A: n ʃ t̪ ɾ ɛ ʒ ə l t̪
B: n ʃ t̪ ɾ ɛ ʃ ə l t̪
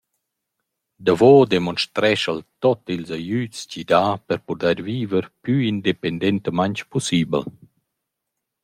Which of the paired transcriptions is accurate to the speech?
B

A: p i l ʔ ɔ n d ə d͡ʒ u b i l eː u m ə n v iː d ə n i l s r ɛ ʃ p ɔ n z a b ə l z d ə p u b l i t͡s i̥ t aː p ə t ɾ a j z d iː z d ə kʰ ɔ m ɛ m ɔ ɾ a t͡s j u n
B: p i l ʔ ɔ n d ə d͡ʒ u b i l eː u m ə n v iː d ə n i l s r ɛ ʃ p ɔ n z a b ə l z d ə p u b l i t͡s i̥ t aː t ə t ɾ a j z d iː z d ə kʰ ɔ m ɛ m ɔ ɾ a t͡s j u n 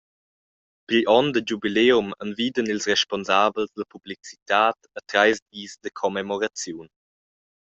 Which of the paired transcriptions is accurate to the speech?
B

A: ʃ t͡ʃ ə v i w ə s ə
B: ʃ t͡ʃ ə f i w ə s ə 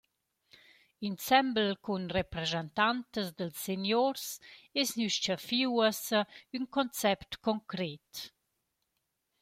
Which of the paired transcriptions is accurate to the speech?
B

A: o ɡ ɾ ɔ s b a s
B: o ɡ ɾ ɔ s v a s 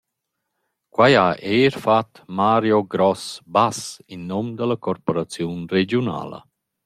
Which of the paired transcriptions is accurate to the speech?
A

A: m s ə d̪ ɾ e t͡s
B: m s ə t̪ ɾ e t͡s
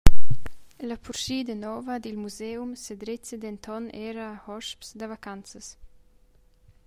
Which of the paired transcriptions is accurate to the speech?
A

